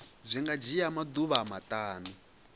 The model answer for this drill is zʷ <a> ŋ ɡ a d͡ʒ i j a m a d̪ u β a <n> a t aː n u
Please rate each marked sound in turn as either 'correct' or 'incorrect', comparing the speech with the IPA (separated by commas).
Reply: incorrect, incorrect